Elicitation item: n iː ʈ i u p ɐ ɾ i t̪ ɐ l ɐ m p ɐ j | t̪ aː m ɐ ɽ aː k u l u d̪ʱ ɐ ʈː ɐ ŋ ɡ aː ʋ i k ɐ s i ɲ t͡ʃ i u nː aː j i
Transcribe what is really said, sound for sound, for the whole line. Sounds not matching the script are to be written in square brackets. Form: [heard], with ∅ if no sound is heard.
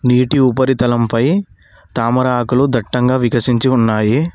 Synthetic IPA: n iː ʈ i u p ɐ ɾ i t̪ ɐ l ɐ m p ɐ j | t̪ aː m ɐ [ɾ] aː k u l u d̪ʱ ɐ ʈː ɐ ŋ ɡ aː ʋ i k ɐ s i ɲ t͡ʃ i u nː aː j i